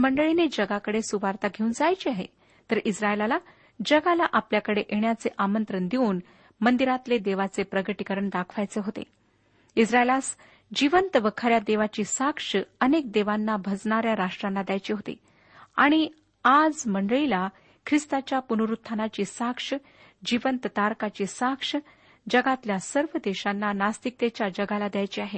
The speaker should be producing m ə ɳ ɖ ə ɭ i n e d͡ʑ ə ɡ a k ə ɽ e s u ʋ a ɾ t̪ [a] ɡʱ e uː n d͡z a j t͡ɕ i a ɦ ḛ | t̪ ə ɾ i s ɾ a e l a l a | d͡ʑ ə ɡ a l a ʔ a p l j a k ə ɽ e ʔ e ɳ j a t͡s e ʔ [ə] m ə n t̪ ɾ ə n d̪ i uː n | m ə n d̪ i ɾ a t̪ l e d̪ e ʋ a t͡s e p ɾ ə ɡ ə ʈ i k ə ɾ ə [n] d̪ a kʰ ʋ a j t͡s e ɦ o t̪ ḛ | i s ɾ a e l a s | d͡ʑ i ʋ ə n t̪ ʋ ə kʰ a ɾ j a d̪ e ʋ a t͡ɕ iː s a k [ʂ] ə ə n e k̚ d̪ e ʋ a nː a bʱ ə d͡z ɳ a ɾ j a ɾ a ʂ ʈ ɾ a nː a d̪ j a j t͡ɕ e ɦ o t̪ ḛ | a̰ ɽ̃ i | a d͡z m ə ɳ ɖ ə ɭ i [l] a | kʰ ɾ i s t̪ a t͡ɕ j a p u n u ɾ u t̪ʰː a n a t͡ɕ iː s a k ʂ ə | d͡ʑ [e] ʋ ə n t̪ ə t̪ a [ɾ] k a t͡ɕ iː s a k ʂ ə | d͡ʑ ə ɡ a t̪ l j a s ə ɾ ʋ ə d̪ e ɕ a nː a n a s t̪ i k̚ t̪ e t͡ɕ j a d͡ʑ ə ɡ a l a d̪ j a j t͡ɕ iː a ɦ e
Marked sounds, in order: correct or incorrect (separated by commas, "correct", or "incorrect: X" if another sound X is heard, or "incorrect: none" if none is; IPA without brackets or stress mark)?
correct, incorrect: a, incorrect: ɳ, correct, correct, incorrect: i, correct